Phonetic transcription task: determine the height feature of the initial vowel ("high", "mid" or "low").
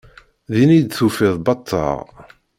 high